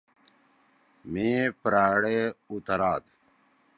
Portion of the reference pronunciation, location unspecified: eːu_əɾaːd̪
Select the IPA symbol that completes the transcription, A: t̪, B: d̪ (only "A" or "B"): A